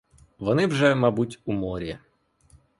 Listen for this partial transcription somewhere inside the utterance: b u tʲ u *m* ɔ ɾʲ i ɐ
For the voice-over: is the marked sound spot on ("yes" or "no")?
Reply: yes